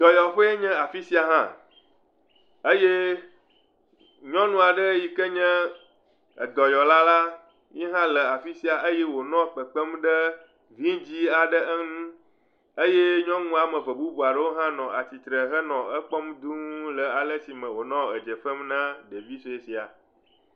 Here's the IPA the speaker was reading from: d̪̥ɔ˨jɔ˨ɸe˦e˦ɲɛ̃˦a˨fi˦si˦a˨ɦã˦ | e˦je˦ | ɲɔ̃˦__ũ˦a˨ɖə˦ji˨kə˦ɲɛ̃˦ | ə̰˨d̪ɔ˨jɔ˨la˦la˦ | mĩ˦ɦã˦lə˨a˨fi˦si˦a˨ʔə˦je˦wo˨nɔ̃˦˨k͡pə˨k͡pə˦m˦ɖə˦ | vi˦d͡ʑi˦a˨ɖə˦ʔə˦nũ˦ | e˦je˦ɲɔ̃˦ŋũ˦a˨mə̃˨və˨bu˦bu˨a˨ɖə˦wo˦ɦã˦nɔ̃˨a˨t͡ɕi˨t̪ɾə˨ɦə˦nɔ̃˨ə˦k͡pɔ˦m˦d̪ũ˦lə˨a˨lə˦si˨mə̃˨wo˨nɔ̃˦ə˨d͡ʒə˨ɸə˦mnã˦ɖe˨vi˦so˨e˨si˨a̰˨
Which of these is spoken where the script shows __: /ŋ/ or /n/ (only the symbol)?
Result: n